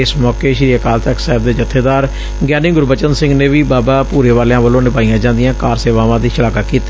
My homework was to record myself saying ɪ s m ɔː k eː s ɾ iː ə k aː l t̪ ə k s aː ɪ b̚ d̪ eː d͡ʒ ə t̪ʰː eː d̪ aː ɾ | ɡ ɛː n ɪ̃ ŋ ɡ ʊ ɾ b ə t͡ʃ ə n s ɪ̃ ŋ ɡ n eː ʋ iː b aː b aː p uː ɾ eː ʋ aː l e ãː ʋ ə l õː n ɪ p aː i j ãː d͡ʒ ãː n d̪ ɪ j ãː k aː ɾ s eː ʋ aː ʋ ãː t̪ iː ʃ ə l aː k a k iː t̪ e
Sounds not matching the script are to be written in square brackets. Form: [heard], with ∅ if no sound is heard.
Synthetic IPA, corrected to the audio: ɪ s m ɔː k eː [ʃ] ɾ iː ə k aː l t̪ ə k s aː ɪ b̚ d̪ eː d͡ʒ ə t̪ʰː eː d̪ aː ɾ | ɡ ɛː n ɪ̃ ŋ ɡ ʊ ɾ b ə t͡ʃ ə n s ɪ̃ ŋ ɡ n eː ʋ iː b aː b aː p uː ɾ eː ʋ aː l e ãː ʋ ə l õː n ɪ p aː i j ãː d͡ʒ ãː n d̪ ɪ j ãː k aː ɾ s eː ʋ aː ʋ ãː [d̪] iː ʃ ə l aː k a k iː t̪ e